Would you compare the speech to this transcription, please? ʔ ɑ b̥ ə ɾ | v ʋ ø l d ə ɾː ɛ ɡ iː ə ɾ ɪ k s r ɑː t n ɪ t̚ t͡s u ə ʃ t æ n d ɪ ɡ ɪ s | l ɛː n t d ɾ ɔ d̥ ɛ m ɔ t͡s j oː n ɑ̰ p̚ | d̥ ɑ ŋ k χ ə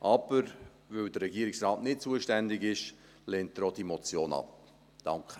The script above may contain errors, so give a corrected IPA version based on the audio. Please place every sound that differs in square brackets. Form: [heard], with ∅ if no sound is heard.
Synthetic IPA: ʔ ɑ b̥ ə ɾ | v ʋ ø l d ə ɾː ɛ ɡ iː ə ɾ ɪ k s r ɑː t n ɪ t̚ t͡s u ə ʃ t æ n d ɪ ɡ ɪ [ʃ] | l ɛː n t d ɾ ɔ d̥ [i] m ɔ t͡s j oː n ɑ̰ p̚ | d̥ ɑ ŋ k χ ə